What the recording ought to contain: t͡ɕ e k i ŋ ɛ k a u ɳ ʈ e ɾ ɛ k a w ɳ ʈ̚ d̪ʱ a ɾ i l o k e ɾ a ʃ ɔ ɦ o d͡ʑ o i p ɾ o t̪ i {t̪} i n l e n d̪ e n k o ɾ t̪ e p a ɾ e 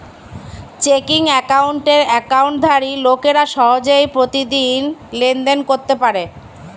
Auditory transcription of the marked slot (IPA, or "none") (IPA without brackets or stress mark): d̪